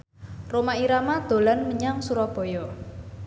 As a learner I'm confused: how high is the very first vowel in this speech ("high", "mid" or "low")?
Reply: mid